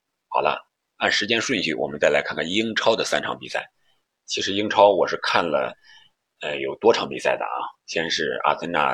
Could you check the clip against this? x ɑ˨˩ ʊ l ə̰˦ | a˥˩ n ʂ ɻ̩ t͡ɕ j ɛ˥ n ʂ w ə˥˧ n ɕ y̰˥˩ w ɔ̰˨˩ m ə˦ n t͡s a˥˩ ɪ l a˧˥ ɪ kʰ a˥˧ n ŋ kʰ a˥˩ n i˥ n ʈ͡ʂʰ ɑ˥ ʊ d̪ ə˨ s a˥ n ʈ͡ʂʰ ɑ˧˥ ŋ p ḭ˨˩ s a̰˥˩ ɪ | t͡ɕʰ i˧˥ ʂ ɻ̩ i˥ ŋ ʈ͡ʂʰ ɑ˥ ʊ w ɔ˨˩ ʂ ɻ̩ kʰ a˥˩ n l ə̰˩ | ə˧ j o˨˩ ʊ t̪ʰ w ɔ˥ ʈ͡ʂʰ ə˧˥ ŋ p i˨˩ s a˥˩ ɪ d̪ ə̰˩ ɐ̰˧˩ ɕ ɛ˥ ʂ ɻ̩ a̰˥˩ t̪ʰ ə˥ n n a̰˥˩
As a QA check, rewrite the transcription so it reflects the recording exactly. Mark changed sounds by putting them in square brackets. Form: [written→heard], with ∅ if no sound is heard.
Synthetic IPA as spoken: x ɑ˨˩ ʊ l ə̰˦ | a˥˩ n ʂ ɻ̩ t͡ɕ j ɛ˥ n ʂ w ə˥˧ n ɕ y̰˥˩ w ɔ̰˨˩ m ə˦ n t͡s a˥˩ ɪ l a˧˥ ɪ kʰ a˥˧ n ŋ kʰ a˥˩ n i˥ [n→ŋ] ʈ͡ʂʰ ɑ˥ ʊ d̪ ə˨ s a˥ n ʈ͡ʂʰ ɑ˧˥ ŋ p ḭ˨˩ s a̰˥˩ ɪ | t͡ɕʰ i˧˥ ʂ ɻ̩ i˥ ŋ ʈ͡ʂʰ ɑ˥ ʊ w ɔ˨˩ ʂ ɻ̩ kʰ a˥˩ n l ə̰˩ | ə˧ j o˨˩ ʊ [t̪ʰ→t̪] w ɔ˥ ʈ͡ʂʰ [ə˧˥→ɑ˧˥] ŋ p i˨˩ s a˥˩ ɪ d̪ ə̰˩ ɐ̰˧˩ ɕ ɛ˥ ʂ ɻ̩ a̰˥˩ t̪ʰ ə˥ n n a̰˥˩